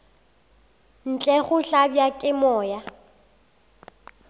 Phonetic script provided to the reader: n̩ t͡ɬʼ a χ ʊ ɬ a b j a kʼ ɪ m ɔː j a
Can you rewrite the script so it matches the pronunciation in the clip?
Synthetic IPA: n̩ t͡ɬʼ ɛ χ ʊ ɬ a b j a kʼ ɪ m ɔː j a